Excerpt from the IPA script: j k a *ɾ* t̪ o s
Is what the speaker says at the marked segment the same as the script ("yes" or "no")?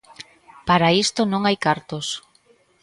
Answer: yes